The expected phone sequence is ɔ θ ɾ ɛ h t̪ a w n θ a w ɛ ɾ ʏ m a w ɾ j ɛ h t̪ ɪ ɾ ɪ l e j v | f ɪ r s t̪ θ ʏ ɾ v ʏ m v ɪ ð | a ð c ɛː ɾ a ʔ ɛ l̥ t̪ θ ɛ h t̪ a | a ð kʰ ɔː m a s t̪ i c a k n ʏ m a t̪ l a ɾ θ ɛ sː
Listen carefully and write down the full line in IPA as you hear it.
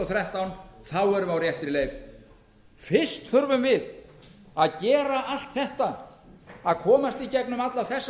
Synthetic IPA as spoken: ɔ θ ɾ ɛ h t̪ a w n θ a w ɛ ɾ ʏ m a w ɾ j ɛ h t̪ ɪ ɾ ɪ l e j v | f ɪ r s t̪ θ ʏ ɾ v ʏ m v ɪ ð | a ð c ɛː ɾ a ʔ a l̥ t̪ θ ɛ h t̪ a | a ð kʰ ɔː m a s t̪ i c ɛ k n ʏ m a t̪ l a θ ɛ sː

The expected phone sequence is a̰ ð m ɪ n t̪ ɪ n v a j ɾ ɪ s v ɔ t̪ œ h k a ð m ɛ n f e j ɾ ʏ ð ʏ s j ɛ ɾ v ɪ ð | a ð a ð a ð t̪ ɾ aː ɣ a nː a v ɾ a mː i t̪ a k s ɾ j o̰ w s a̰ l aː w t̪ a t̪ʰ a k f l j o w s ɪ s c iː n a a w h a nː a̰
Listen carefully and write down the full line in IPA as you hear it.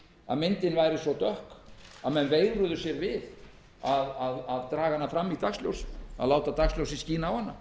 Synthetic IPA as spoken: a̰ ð m ɪ n t̪ ɪ n v a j ɾ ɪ s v ɔ t̪ œ h k a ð m ɛ n v e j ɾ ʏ ð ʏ s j ɛ ɾ v ɪ ð | a ð a ð a ð t̪ ɾ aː ɣ a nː a f ɾ a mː i t̪ a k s l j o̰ w s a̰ l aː w t̪ a t̪ a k s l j o w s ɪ s c iː n a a w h a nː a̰

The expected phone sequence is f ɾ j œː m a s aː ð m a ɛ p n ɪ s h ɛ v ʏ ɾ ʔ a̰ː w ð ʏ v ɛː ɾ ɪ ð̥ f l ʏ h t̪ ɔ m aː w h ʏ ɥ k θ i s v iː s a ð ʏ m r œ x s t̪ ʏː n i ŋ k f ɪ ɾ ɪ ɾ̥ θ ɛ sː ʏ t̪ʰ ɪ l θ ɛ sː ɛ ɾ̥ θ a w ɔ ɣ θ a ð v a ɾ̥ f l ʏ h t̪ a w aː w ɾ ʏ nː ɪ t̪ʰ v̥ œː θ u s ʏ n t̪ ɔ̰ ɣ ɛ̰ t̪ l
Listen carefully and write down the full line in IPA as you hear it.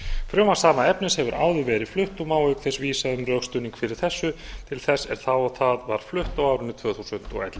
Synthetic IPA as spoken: f ɾ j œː m a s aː m a ɛ p n ɪ s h ɛ v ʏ ɾ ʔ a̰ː w ð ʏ v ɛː ɾ ɪ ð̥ f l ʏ h t̪ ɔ m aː w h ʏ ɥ k θ ɛ s v iː s a ð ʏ m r œ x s t̪ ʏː n i ŋ k f ɪ ɾ ɪ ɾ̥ θ ɛ sː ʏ t̪ʰ ɪ l θ ɛ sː ɛ ɾ̥ θ a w ɔ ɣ θ a ð v a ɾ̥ f l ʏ h t̪ a w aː w ɾ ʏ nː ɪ t̪ʰ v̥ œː θ u s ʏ n t̪ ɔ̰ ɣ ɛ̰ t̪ l

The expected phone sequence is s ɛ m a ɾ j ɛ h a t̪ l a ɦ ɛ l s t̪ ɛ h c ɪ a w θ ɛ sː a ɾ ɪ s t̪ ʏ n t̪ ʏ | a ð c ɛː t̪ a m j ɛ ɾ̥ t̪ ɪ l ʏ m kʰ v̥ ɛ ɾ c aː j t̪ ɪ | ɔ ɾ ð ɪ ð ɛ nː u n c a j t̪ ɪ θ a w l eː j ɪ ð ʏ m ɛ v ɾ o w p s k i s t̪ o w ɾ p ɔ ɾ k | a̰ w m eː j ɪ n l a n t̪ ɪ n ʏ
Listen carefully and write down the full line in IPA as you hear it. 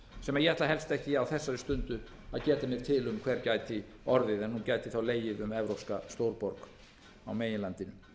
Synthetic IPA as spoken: s ɛ m a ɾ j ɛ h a t̪ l a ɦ ɛ l s t̪ ɛ h c ɪ a w θ ɛ sː a ɾ ɪ s t̪ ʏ n t̪ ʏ | a ð c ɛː t̪ a m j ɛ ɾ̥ t̪ʰ ɪ l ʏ m kʰ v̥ ɛ ɾ c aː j t̪ ɪ | ɔ ɾ ð ɪ ð ɛ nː u n c a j t̪ ɪ θ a w l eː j ɪ ð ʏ m ɛ v ɾ o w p s k a s t̪ o w ɾ p ɔ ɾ k | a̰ w m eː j ɪ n l a n t̪ ɪ n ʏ

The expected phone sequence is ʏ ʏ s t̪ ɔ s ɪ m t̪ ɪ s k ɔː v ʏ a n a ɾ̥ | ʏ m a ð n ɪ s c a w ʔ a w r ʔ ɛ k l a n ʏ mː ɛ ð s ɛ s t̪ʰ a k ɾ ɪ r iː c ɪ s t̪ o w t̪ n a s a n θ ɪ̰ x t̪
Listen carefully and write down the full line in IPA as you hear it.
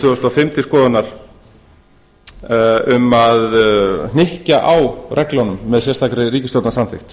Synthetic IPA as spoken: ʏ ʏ s t̪ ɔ f ɪ m t̪ ɪ s k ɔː ð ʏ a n a ɾ̥ | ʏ m a ð n ɪ h c a ʔ a w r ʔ ɛ k l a n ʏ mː ɛ ð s ɛ s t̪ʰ a k ɾ ɪ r iː c ɪ s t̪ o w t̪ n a s a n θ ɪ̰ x t̪

